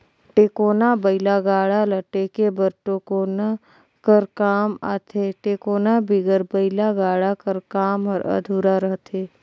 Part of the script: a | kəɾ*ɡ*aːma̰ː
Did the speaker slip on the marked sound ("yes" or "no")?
yes